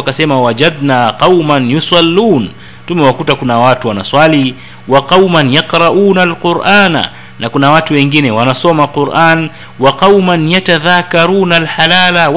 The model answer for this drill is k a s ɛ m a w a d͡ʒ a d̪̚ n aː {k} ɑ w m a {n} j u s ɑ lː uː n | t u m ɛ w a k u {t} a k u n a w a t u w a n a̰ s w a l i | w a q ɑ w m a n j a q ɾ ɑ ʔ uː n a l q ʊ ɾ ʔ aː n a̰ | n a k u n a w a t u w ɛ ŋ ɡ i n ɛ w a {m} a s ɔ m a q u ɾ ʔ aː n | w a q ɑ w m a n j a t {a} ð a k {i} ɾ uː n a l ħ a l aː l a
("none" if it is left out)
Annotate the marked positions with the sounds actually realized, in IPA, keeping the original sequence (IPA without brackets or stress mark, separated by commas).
q, n, t, n, a, a